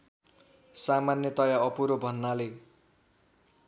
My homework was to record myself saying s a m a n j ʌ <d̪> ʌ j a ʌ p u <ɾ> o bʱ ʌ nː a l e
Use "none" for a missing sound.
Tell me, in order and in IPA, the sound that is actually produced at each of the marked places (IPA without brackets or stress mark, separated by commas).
t̪, ɾ